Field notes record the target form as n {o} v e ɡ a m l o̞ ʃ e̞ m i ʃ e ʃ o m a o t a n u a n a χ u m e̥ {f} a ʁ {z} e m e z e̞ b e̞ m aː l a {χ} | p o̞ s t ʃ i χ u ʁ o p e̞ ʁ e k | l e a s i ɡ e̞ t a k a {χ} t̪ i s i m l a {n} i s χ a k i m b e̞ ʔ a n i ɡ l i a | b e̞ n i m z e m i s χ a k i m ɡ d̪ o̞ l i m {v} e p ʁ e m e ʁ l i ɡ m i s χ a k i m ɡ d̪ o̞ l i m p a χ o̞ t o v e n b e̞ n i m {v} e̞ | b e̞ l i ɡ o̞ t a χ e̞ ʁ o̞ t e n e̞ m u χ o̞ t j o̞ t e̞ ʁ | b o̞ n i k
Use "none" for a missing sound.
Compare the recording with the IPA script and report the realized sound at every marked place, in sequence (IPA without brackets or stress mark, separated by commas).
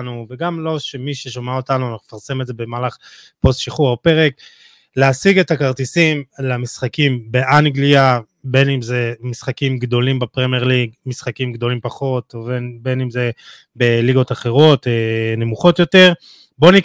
u, f, s, χ, ʁ, m, b, z